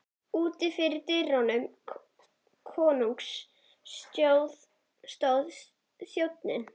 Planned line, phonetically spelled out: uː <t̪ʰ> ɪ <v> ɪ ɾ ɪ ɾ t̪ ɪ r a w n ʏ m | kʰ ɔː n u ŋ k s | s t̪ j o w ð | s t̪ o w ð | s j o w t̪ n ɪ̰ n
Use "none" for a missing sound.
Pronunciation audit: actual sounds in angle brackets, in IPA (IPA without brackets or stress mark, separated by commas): t̪, f